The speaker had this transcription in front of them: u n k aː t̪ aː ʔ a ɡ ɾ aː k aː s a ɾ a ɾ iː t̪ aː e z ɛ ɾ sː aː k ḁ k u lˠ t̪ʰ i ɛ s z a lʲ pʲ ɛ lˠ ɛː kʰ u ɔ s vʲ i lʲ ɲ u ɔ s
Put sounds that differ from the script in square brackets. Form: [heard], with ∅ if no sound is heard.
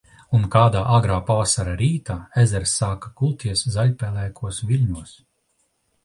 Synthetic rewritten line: u n k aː [d̪] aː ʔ a ɡ ɾ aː [p] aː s a ɾ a ɾ iː t̪ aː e z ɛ ɾ sː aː k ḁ k u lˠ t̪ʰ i ɛ s z a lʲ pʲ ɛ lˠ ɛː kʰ u ɔ s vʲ i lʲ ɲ u ɔ s